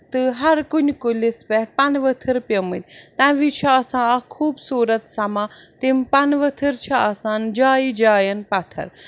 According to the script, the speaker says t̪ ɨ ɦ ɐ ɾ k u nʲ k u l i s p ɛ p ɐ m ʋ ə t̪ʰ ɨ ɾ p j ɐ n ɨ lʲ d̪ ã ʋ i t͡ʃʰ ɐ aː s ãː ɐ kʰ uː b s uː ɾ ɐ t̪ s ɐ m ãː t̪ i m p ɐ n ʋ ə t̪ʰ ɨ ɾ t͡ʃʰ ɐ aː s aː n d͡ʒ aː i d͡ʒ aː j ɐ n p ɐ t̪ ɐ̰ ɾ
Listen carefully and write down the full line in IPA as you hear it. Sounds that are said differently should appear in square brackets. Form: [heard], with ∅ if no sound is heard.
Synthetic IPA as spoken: t̪ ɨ ɦ ɐ ɾ k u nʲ k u l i s p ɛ p ɐ [n] ʋ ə t̪ʰ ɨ ɾ p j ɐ [m] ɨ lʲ [t̪] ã ʋ i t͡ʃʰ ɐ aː s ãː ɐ kʰ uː b s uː ɾ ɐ t̪ s ɐ m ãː t̪ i m p ɐ n ʋ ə t̪ʰ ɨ ɾ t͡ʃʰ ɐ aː s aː n d͡ʒ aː i d͡ʒ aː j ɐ n p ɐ [t̪ʰ] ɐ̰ ɾ